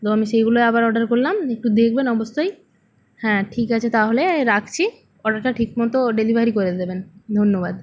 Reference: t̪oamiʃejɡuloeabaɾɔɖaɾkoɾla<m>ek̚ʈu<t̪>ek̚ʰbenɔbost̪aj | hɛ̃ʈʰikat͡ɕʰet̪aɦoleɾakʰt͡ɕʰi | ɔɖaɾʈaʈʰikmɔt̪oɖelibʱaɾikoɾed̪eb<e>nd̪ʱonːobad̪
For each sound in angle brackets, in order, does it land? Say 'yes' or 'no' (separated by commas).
yes, no, yes